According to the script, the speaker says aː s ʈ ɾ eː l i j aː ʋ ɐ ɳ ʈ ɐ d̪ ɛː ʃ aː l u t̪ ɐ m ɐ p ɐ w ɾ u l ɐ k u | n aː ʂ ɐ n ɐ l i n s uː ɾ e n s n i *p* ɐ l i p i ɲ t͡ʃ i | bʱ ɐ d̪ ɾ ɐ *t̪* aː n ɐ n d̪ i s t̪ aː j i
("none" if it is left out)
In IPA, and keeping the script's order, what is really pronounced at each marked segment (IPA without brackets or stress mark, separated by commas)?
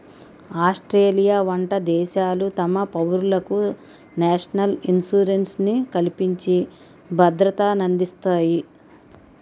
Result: k, t̪